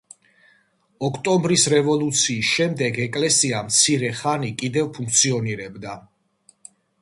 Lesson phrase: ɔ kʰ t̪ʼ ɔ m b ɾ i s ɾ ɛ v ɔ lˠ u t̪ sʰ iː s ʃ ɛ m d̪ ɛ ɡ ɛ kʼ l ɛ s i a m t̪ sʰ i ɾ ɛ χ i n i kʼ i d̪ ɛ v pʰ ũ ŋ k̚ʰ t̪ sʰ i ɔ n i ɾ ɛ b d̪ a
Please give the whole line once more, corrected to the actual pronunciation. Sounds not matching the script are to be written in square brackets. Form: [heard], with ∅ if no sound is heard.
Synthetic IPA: ɔ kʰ t̪ʼ ɔ m b ɾ i s ɾ ɛ v ɔ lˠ u t̪ sʰ iː s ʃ ɛ m d̪ ɛ ɡ ɛ kʼ l ɛ s i a m t̪ sʰ i ɾ ɛ χ [a] n i kʼ i d̪ ɛ v pʰ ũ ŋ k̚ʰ t̪ sʰ i ɔ n i ɾ ɛ b d̪ a